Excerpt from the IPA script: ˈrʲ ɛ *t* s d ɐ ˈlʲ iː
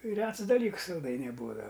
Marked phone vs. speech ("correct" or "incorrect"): correct